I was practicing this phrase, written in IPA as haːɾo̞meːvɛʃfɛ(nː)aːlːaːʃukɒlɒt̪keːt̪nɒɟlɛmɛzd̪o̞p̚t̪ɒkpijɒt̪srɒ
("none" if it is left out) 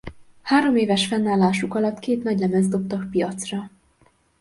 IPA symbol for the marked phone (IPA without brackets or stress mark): nː